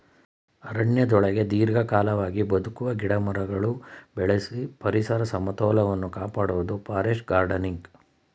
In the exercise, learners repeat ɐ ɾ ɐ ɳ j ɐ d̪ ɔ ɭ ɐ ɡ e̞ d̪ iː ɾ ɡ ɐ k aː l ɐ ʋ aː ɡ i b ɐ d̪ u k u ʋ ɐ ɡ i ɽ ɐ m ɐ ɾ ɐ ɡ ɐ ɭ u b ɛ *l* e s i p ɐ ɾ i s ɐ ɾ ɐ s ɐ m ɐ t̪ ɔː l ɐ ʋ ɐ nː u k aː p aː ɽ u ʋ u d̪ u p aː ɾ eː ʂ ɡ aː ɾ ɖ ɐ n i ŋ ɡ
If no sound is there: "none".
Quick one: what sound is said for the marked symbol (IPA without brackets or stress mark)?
ɭ